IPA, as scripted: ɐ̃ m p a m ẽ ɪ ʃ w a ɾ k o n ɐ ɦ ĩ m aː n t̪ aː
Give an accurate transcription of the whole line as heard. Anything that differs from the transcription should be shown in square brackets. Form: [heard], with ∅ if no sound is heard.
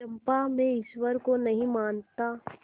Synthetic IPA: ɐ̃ m p a m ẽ ɪ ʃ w [ə] ɾ k o n ɐ ɦ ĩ m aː n t̪ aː

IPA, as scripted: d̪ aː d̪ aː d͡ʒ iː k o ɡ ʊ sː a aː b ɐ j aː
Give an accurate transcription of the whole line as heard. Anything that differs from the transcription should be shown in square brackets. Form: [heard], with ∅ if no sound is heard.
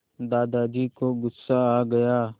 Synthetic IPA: d̪ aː d̪ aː d͡ʒ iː k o ɡ ʊ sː a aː [ɡ] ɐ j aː

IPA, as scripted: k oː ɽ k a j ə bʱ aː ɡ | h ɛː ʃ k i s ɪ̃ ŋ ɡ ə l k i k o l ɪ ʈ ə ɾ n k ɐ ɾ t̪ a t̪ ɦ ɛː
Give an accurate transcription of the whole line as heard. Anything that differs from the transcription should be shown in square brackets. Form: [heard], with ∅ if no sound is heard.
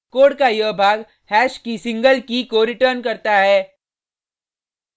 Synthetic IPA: k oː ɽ k a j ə bʱ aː ɡ | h ɛː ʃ k i s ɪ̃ ŋ ɡ ə l k i k o [ɾ] ɪ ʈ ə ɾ n k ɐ ɾ t̪ a [∅] ɦ ɛː

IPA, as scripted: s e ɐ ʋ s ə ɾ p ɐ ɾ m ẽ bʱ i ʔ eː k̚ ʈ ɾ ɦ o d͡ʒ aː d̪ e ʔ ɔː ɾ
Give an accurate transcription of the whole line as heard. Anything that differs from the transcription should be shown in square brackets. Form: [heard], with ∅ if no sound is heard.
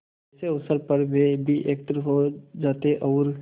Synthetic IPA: s e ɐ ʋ s ə ɾ p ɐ ɾ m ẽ bʱ i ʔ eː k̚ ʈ ɾ ɦ o d͡ʒ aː [t̪] e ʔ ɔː ɾ

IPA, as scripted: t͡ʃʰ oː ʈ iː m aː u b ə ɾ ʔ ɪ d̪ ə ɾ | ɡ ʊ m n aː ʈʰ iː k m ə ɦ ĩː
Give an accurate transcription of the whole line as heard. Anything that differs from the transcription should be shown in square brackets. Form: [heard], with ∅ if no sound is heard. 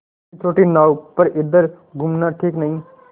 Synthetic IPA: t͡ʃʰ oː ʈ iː [n] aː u [p] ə ɾ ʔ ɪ d̪ ə ɾ | ɡ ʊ m n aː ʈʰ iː k [n] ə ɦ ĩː

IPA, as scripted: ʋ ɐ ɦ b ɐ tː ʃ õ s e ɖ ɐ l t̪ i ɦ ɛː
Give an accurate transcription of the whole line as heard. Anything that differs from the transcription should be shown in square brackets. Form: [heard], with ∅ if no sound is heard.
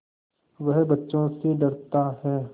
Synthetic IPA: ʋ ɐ ɦ b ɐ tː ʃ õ s e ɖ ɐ [ɾ] t̪ [a] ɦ ɛː

